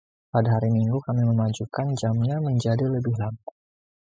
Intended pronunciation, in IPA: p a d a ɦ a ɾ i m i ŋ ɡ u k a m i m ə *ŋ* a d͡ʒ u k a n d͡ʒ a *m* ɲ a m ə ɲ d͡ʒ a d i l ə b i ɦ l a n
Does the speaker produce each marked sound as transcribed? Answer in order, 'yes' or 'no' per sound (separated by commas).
no, yes